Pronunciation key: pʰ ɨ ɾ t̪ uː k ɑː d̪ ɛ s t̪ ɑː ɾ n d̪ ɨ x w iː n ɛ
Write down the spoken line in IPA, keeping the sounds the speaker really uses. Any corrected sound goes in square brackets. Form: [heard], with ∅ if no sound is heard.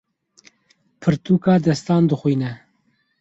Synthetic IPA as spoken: pʰ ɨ ɾ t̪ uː k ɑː d̪ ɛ s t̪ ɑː [∅] n d̪ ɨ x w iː n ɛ